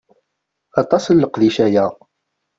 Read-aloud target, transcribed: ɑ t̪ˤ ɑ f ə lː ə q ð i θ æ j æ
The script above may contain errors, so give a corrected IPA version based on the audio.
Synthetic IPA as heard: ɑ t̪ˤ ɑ s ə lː ə q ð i ʃ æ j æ